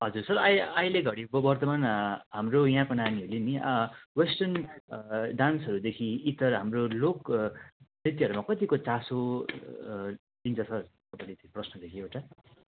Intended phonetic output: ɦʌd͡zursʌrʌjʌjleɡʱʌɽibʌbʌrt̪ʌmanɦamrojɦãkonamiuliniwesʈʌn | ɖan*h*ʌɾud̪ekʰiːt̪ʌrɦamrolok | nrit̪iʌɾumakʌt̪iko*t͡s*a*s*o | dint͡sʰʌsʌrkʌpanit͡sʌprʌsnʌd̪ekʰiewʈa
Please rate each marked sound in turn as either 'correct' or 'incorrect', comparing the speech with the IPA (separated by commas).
incorrect, correct, correct